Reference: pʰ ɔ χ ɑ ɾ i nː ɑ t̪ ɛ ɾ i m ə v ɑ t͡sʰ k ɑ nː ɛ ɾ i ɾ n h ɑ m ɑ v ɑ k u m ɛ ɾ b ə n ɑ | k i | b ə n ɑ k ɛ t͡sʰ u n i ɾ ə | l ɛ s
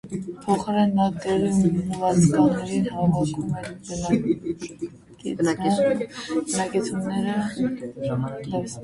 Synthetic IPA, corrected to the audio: pʰ ɔ χ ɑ ɾ ɛ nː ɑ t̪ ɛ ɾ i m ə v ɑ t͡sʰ k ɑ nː ɛ ɾ i n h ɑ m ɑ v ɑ k u m ɛ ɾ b ə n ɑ | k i | b ə n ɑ k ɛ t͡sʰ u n ɛ ɾ ə | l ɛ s